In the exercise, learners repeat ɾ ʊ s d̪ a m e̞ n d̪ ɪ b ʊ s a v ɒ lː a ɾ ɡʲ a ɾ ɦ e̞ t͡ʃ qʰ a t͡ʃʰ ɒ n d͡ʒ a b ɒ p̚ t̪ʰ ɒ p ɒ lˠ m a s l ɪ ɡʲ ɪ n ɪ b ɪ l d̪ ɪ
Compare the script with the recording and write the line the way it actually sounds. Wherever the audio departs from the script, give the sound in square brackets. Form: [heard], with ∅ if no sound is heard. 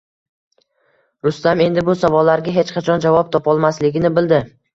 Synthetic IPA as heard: ɾ ʊ s [t̪] a m e̞ n d̪ ɪ b ʊ s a v ɒ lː a ɾ ɡʲ a [∅] ɦ e̞ t͡ʃ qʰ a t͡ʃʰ ɒ n d͡ʒ a [v] ɒ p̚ t̪ʰ ɒ p ɒ lˠ m a s l ɪ ɡʲ ɪ n ɪ b ɪ l d̪ ɪ